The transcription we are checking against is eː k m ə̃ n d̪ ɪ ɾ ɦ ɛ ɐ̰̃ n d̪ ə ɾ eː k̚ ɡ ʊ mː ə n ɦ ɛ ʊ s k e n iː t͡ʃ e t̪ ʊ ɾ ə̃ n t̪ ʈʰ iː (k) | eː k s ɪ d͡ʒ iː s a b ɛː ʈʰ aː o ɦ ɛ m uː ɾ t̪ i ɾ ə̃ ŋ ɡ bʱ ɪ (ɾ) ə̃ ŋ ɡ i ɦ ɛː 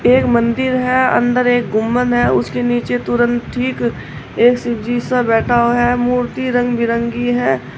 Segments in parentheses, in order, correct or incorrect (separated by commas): correct, correct